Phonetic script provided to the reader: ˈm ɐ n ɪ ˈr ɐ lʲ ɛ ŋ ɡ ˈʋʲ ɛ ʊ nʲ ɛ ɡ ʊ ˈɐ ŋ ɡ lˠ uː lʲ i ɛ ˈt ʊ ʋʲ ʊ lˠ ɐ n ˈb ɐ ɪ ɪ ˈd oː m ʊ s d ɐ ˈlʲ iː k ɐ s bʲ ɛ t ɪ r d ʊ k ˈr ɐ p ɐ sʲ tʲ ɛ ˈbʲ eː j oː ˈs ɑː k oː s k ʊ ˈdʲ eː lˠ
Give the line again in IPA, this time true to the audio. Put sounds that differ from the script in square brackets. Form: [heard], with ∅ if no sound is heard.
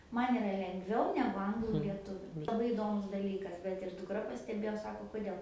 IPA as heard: ˈm ɐ n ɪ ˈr ɐ lʲ ɛ ŋ ɡ ˈʋʲ ɛ ʊ nʲ ɛ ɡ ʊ ˈɐ ŋ ɡ lˠ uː lʲ i ɛ ˈt ʊ ʋʲ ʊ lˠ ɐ [∅] ˈb ɐ ɪ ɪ ˈd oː m ʊ s d ɐ ˈlʲ iː k ɐ s bʲ ɛ t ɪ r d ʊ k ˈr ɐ p ɐ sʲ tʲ ɛ ˈbʲ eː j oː ˈs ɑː k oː [∅] k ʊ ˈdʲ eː lˠ